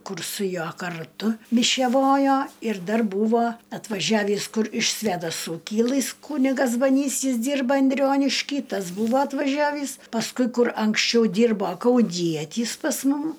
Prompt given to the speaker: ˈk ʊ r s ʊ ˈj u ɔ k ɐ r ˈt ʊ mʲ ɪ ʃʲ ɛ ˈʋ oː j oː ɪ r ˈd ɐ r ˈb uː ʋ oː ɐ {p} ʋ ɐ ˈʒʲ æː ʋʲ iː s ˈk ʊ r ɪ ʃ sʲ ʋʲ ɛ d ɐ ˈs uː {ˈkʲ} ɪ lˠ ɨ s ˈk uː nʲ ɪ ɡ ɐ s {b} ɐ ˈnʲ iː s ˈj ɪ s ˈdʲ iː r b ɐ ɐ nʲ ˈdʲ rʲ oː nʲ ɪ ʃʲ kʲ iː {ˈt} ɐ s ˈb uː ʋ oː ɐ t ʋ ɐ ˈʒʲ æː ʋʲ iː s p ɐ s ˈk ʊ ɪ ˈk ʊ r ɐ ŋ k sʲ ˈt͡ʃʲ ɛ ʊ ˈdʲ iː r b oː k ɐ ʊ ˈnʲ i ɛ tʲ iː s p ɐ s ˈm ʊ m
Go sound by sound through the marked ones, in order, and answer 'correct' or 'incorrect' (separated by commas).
incorrect, correct, correct, correct